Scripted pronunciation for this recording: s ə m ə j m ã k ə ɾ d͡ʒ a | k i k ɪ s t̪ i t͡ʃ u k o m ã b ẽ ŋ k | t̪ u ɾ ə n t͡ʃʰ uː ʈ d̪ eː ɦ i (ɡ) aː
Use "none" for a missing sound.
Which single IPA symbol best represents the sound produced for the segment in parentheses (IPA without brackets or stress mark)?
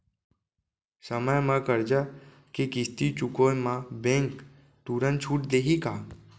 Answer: k